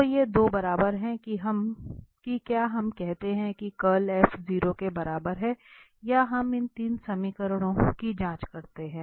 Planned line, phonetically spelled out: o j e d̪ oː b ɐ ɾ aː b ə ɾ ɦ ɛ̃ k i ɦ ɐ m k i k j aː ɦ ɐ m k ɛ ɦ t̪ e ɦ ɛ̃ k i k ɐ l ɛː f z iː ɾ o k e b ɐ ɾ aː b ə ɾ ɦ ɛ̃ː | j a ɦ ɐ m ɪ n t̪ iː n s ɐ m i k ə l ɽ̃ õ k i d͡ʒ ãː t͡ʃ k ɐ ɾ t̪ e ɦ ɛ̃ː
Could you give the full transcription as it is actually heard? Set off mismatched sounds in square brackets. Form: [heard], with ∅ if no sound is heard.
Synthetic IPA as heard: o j e d̪ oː b ɐ ɾ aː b ə ɾ ɦ ɛ̃ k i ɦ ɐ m k i k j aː ɦ ɐ m k ɛ ɦ t̪ e ɦ ɛ̃ k i k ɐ l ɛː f z iː ɾ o k e b ɐ ɾ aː b ə ɾ ɦ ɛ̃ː | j a ɦ ɐ m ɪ n t̪ iː n s ɐ m i k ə [ɾ] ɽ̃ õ k i d͡ʒ ãː t͡ʃ k ɐ ɾ t̪ e ɦ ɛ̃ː

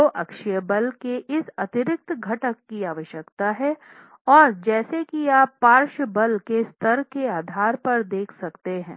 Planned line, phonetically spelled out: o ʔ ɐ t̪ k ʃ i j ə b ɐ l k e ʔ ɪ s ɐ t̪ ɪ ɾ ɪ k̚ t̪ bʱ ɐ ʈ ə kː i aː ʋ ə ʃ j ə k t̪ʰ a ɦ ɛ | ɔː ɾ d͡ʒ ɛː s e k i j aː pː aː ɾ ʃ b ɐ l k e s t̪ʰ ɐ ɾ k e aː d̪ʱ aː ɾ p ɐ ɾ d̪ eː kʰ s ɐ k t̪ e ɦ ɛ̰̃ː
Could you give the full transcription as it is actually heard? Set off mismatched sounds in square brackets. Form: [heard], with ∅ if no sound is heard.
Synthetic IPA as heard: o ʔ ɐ [∅] k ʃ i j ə b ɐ l k e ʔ ɪ s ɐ t̪ ɪ ɾ ɪ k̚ t̪ [ɡʱ] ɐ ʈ ə kː i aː ʋ ə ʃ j ə k [t̪] a ɦ ɛ | ɔː ɾ d͡ʒ ɛː s e k i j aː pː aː ɾ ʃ b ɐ l k e s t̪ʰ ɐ ɾ k e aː d̪ʱ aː ɾ p ɐ ɾ d̪ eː kʰ s ɐ k t̪ e ɦ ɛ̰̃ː

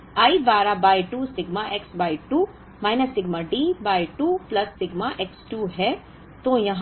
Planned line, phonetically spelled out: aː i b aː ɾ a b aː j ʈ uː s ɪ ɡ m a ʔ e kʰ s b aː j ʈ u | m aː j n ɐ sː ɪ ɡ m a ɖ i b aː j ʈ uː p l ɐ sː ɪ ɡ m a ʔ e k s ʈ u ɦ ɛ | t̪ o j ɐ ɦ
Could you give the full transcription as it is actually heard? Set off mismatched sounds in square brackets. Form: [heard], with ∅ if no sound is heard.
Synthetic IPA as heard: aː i b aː ɾ a b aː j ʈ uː s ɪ ɡ m a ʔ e [k] s b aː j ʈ u | m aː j n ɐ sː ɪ ɡ m a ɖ i b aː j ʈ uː p l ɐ sː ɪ ɡ m a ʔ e k s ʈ u ɦ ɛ | t̪ o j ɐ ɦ

